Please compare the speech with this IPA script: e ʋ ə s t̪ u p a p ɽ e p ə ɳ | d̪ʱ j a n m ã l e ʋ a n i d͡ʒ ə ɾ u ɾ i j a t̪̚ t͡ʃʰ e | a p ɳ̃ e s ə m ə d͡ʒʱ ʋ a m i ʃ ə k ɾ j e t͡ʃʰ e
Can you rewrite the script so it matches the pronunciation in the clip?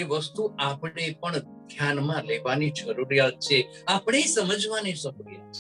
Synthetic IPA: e ʋ ə s t̪ u a p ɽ e p ə ɳ | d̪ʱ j a n m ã l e ʋ a n i d͡ʒ ə ɾ u ɾ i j a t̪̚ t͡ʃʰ e | a p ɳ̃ e s ə m ə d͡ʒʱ ʋ a n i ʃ ə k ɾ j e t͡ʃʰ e